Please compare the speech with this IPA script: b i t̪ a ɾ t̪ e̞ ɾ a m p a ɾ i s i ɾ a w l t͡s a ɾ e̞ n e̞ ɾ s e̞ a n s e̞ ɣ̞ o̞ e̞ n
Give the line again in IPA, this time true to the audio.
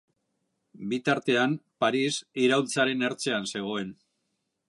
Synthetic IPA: b i t̪ a ɾ t̪ e̞ a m p a ɾ i s i ɾ a w l t͡s a ɾ e̞ n e̞ ɾ t͡s e̞ a n s e̞ ɣ̞ o̞ e̞ n